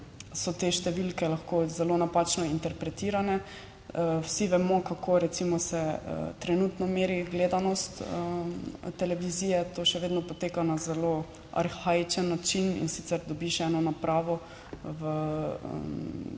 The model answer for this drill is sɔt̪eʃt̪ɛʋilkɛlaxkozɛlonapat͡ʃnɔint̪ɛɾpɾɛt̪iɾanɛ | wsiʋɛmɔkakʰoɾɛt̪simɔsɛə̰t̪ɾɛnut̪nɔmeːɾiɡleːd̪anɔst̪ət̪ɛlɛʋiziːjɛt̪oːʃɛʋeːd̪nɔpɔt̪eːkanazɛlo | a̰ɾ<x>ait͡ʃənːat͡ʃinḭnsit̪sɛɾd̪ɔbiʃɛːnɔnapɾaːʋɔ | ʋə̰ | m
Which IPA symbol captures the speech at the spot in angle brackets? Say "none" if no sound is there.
x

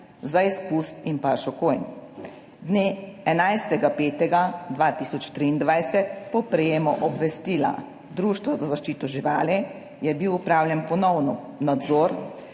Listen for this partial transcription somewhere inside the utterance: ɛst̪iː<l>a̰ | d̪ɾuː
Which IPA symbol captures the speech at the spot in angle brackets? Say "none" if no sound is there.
l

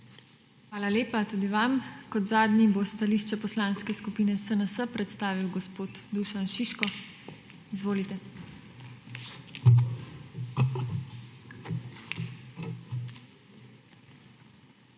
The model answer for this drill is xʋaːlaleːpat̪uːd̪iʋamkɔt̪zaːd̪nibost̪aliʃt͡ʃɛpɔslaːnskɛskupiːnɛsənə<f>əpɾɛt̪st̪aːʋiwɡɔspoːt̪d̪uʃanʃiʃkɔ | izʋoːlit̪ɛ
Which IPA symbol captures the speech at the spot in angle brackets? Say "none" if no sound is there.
s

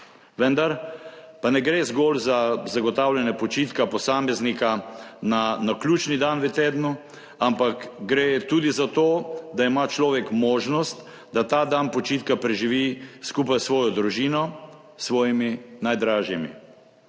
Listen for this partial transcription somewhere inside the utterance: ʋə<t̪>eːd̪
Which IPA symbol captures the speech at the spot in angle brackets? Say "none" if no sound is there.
t̪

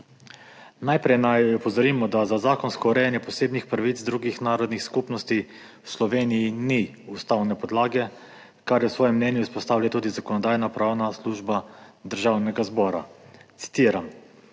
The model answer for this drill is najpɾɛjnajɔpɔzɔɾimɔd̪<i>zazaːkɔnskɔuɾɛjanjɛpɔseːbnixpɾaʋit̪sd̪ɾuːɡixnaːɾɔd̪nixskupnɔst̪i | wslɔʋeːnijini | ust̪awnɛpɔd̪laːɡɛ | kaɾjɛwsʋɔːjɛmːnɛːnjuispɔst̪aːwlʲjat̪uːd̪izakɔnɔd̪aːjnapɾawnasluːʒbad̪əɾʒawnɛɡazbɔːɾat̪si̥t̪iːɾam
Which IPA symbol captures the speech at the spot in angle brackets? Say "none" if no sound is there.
a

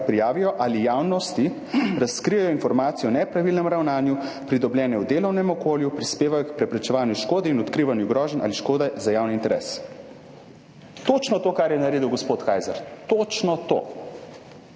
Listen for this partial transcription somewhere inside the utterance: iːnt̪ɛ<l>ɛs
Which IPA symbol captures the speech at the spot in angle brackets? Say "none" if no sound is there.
ɾ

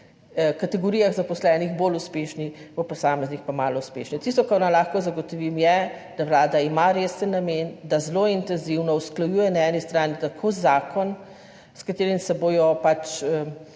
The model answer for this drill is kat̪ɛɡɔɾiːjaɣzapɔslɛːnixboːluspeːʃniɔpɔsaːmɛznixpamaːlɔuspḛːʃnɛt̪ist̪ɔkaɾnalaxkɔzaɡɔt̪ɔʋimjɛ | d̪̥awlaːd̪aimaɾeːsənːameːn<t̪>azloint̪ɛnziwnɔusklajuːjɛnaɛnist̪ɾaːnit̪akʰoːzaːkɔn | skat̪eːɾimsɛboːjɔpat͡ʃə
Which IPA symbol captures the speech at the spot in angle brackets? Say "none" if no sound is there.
d̪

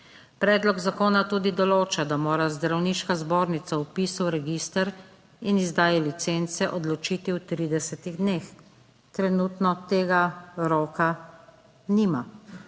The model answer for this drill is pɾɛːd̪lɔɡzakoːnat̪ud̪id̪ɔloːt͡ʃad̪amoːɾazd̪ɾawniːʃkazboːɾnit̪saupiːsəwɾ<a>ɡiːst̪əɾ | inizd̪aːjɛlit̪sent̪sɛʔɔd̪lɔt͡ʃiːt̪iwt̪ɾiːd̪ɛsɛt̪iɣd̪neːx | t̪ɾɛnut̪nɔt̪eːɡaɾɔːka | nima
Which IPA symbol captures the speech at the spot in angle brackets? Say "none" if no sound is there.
ɛ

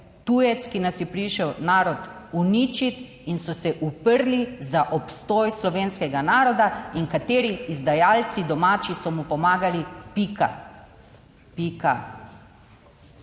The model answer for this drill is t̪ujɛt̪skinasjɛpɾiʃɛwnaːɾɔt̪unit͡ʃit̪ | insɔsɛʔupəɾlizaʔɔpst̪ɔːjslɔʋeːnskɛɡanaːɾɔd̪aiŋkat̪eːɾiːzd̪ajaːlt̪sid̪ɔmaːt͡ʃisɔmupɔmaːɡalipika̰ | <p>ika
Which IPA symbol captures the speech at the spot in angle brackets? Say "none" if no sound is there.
p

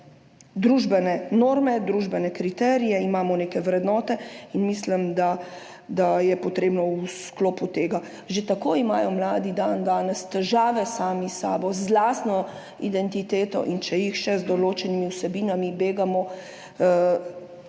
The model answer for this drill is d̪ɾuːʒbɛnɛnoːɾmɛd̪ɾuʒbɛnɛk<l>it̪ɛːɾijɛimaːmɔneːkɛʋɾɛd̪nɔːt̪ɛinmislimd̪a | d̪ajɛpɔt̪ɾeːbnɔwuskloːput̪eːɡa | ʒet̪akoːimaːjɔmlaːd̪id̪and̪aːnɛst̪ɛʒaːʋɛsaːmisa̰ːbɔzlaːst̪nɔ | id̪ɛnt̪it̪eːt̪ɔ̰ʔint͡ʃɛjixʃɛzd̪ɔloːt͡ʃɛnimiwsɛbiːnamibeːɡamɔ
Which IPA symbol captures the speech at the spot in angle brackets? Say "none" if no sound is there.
ɾ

